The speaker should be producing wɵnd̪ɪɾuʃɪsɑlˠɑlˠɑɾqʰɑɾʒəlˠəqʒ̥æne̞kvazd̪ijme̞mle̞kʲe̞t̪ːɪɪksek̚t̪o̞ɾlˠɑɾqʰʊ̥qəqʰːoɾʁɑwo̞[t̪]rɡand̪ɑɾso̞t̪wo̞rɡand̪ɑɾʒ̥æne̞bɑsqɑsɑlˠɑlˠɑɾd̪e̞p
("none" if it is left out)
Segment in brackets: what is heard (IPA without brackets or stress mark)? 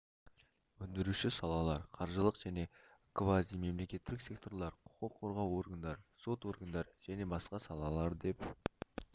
none